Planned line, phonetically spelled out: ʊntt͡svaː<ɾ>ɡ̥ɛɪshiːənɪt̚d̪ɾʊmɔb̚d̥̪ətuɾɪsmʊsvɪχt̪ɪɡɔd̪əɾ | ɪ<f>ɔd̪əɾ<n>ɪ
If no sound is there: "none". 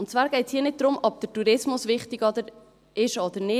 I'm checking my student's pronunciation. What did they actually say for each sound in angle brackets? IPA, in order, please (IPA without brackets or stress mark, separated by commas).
ɾ, ʃ, n